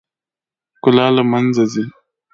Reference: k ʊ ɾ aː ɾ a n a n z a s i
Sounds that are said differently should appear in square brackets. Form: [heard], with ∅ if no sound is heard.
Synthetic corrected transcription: k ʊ [l] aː [l] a [m] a n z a [z] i